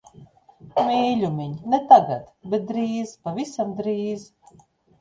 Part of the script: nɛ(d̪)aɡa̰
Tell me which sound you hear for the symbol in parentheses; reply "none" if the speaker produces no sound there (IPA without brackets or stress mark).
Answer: t̪